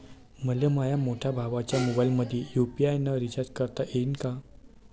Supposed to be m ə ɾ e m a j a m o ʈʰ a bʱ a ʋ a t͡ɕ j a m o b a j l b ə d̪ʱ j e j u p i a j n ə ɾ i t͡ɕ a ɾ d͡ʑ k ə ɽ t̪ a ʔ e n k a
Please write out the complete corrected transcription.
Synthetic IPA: m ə l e m a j a m o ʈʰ a bʱ a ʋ a t͡ɕ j a m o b a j l m ə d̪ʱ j e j u p i a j n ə ɾ i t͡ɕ a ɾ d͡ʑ k ə ɾ t̪ a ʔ e n k a

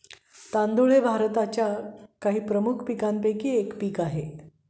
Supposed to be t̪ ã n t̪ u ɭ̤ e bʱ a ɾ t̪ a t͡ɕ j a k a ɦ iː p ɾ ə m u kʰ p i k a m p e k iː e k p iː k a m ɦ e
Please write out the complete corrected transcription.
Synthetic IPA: t̪ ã n d̪ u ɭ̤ e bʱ a ɾ t̪ a t͡ɕ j a k a ɦ iː p ɾ ə m u kʰ p i k a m p e k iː e k p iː k a ɦ e

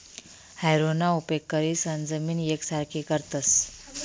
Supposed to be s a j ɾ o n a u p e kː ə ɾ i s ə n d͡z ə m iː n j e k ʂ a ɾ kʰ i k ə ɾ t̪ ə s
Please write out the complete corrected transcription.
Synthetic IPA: h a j ɾ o n a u p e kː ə ɾ i s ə n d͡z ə m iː n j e k s a ɾ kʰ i k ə ɾ t̪ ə s

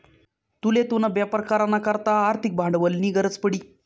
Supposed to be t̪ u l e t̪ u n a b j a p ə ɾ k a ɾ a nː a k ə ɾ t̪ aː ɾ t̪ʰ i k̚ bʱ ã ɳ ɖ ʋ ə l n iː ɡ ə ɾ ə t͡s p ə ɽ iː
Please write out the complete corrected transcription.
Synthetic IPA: t̪ u l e t̪ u n a b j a p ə ɾ k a ɾ a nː a k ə ɾ t̪ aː ɾ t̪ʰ i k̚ bʱ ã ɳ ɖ ʋ ə l n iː ɡ ə ɾ ə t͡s p ə ɽ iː

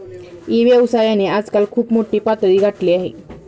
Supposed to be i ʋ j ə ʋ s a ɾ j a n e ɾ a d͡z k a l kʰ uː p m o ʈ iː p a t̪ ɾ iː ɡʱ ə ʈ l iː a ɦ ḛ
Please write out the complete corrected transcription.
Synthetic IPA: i ʋ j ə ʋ s a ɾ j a n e a d͡z k a l kʰ uː p m o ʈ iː p a t̪ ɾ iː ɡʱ a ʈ l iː a ɦ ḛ

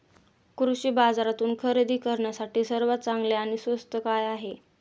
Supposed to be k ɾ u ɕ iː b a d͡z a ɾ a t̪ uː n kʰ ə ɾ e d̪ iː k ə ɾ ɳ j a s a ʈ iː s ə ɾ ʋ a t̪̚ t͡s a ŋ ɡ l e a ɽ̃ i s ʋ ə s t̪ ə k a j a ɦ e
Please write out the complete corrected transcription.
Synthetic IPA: k ɾ u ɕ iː b a d͡z a ɾ a t̪ uː n kʰ ə ɾ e d̪ iː k ə ɾ ɳ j a s a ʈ iː s ə ɾ ʋ a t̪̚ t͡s a ŋ ɡ l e a ɽ̃ i s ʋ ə s t̪ ə k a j a ɦ e

